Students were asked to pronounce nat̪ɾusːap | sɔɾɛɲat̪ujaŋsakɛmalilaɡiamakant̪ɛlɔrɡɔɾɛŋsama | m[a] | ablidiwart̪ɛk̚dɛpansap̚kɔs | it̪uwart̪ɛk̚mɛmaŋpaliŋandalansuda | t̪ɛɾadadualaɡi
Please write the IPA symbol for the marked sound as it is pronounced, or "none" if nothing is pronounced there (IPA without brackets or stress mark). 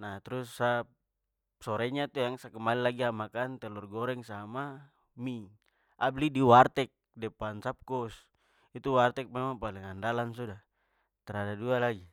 i